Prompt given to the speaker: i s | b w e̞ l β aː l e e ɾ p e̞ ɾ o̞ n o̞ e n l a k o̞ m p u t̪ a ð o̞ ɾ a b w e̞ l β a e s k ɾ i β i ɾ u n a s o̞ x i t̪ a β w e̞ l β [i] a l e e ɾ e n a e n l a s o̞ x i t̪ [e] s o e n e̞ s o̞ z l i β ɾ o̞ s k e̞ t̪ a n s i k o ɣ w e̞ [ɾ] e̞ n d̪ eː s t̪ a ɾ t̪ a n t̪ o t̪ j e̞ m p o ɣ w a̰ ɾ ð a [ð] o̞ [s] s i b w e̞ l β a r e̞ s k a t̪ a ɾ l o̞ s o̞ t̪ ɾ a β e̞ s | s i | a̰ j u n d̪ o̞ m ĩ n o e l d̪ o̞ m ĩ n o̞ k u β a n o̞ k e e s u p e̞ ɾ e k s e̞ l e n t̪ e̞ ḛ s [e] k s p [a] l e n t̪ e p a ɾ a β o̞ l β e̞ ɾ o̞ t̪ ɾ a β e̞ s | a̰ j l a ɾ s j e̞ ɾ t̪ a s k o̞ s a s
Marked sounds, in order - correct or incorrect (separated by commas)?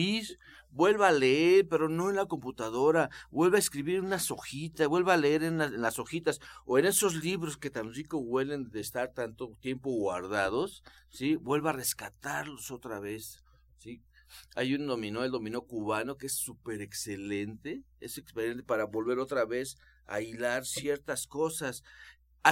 incorrect, incorrect, incorrect, correct, correct, correct, incorrect